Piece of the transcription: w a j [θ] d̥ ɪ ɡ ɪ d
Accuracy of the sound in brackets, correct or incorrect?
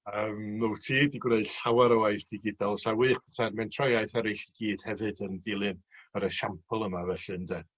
correct